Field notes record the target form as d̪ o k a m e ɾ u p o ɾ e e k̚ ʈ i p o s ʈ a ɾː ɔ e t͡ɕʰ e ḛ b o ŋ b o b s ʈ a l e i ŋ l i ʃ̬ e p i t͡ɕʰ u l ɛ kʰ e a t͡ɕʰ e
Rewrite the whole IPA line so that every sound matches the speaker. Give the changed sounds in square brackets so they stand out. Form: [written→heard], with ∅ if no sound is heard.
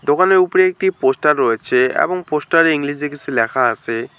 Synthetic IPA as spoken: d̪ o k a [m→n] e ɾ u p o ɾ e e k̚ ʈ i p o s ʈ a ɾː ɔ e t͡ɕʰ e ḛ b o ŋ [b→p] o [b→∅] s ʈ a [l→ɾ] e i ŋ l i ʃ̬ e [p→k] i t͡ɕʰ u l ɛ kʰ [e→a] a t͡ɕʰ e